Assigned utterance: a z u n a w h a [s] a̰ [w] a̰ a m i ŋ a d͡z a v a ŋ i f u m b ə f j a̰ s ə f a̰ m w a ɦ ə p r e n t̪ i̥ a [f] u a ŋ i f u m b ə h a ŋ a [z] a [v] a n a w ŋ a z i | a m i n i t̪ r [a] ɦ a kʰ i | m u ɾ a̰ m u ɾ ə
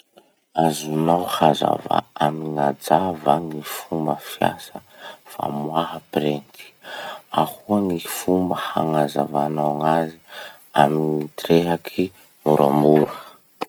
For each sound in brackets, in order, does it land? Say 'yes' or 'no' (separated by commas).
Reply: no, no, no, yes, yes, no